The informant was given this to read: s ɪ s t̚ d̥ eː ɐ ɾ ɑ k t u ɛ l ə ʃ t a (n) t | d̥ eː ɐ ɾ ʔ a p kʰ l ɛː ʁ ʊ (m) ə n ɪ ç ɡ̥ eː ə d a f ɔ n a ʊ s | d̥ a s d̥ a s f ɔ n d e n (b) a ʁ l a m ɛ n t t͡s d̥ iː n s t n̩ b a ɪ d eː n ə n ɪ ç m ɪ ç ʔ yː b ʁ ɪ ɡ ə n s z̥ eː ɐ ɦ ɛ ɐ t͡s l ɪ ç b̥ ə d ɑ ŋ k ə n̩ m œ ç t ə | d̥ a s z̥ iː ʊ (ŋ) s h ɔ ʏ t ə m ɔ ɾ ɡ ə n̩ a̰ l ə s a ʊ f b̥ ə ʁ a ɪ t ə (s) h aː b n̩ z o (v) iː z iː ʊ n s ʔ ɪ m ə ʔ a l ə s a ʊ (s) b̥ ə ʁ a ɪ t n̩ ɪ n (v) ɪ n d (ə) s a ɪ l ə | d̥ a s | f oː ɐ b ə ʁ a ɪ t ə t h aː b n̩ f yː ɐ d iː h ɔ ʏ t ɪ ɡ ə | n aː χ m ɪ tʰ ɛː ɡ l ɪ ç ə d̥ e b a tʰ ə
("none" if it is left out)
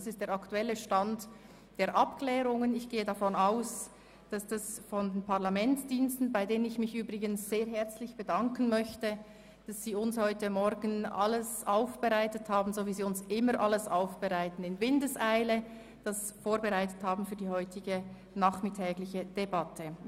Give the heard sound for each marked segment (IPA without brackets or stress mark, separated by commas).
n, ŋ, p, n, t, v, f, v, ə